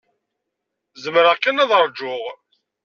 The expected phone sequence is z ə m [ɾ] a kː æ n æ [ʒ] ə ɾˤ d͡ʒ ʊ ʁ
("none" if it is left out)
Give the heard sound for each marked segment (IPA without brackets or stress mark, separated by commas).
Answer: ɾ, ð